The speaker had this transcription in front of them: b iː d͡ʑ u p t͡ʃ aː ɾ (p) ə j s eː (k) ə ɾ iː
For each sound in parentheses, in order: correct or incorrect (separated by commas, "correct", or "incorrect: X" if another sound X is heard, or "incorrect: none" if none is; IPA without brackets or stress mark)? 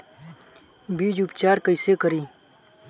incorrect: k, correct